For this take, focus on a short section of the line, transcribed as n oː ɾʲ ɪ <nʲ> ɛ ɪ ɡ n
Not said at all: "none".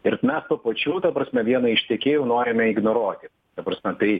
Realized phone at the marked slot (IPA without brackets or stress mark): mʲ